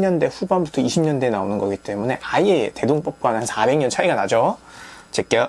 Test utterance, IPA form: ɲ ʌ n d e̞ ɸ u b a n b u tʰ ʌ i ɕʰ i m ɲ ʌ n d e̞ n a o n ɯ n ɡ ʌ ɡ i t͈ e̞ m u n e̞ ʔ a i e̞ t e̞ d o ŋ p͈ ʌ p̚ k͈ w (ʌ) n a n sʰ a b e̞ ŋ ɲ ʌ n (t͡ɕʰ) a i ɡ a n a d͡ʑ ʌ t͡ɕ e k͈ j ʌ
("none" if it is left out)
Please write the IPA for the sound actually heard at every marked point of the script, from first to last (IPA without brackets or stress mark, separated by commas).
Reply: a, t͡ɕʰ